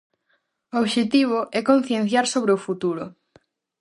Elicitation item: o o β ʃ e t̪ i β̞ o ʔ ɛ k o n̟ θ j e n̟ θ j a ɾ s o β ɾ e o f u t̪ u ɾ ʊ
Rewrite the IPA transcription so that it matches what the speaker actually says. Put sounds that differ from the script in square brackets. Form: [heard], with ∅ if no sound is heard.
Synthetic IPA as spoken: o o β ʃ e t̪ i β̞ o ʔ ɛ k o n̟ θ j e n̟ θ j a ɾ s o β ɾ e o f u t̪ u ɾ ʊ